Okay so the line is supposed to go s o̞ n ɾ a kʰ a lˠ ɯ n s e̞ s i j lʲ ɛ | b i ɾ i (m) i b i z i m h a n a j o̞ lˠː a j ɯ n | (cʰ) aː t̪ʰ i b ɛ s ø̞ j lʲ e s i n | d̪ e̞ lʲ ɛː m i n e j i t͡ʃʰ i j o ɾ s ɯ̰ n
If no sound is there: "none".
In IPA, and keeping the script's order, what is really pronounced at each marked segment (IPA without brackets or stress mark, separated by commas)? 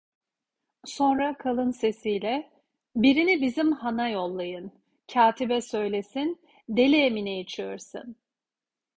n, cʰ